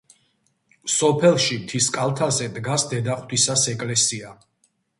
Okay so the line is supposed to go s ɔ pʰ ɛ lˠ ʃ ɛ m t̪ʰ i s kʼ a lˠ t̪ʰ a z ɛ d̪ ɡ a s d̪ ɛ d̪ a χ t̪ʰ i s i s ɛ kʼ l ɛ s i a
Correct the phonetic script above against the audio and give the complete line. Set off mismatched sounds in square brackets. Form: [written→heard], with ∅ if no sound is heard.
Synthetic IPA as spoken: s ɔ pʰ ɛ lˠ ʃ [ɛ→i] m t̪ʰ i s kʼ a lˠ t̪ʰ a z ɛ d̪ ɡ a s d̪ ɛ d̪ a χ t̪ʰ i s [i→a] s ɛ kʼ l ɛ s i a

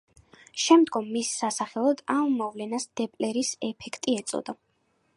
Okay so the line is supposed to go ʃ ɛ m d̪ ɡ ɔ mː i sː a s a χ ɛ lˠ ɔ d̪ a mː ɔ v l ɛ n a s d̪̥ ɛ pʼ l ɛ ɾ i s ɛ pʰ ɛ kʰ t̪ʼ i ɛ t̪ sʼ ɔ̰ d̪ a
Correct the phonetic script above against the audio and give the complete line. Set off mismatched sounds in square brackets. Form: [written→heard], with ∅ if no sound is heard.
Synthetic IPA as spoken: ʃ ɛ m d̪ ɡ ɔ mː i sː a s a χ ɛ lˠ ɔ d̪ a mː ɔ v l ɛ n a s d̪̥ ɛ pʼ l ɛ ɾ i s ɛ pʰ ɛ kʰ t̪ʼ i ɛ t̪ sʼ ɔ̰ d̪ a

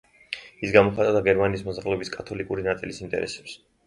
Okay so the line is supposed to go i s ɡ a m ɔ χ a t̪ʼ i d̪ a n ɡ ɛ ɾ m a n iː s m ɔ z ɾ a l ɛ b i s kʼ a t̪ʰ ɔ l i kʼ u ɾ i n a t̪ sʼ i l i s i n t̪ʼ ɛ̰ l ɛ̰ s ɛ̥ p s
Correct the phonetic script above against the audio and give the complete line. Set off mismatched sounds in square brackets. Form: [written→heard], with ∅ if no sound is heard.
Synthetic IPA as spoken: i s ɡ a m ɔ χ a t̪ʼ [i→a] d̪ a [n→∅] ɡ ɛ ɾ m a n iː s m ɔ z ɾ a l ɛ b i s kʼ a t̪ʰ ɔ l i kʼ u ɾ i n a t̪ sʼ i l i s i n t̪ʼ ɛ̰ [l→ɾ] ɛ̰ s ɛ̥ p s

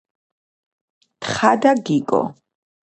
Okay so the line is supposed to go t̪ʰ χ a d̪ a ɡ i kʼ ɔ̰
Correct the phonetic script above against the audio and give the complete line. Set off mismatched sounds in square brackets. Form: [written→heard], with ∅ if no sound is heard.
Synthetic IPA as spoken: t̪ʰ χ a d̪ a ɡ i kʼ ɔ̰

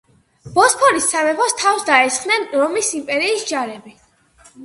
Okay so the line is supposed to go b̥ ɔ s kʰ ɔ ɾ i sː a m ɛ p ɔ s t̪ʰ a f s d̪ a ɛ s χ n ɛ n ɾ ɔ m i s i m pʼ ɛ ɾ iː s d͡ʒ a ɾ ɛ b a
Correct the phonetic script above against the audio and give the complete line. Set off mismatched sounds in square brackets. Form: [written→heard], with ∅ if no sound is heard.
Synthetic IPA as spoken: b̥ ɔ s [kʰ→pʰ] ɔ ɾ i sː a m ɛ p ɔ s t̪ʰ a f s d̪ a ɛ s χ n ɛ n ɾ ɔ m i s i m pʼ ɛ ɾ iː s d͡ʒ a ɾ ɛ b [a→i]

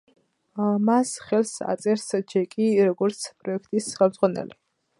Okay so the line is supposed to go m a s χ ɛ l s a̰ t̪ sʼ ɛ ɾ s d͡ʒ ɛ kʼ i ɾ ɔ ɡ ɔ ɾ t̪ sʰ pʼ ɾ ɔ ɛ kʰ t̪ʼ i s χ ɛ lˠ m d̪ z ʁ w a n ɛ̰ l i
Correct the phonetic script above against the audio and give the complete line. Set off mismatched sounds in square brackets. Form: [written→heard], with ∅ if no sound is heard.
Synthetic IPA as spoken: m a s χ ɛ l s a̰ t̪ sʼ ɛ ɾ s d͡ʒ ɛ kʼ i ɾ ɔ ɡ ɔ ɾ t̪ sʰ pʼ ɾ ɔ ɛ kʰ t̪ʼ i s χ ɛ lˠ m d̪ z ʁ w a n ɛ̰ l i

